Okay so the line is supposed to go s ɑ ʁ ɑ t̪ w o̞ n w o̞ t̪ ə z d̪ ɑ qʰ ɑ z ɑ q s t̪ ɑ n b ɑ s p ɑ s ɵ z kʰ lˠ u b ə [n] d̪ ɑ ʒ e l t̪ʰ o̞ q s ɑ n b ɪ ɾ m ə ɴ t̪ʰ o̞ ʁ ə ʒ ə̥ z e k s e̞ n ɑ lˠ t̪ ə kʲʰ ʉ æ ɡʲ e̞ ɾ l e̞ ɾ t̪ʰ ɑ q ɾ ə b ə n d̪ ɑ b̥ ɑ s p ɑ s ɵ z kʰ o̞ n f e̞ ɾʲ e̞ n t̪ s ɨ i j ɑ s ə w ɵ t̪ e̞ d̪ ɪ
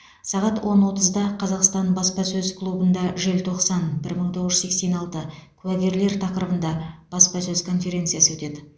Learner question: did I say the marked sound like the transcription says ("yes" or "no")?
yes